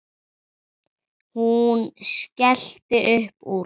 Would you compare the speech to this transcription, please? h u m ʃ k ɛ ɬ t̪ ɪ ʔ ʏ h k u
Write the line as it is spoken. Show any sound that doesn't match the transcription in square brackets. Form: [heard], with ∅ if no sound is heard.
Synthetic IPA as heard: h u [n] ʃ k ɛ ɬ t̪ ɪ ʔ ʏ h [p] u